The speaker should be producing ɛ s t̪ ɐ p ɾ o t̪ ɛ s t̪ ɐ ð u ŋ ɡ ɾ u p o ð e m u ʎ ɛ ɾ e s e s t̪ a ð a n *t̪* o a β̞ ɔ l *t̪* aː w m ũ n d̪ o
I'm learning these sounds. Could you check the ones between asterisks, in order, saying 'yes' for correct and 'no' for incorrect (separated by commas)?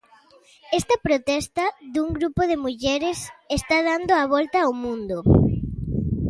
no, yes